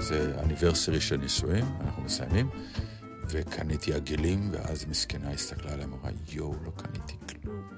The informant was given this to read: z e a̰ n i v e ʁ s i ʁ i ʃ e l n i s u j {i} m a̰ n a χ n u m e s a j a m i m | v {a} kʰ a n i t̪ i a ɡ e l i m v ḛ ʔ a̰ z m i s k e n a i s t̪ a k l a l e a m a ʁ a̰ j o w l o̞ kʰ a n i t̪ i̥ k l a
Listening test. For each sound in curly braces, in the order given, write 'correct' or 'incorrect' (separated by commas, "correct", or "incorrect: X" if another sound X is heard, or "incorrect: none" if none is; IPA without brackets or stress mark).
correct, incorrect: e